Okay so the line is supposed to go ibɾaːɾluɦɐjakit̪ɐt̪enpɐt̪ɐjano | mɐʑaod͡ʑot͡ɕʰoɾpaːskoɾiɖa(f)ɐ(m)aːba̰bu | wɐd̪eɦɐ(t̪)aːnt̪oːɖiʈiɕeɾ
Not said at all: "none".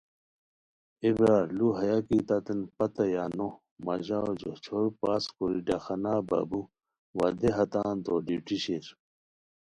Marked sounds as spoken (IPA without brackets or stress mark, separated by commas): x, n, t̪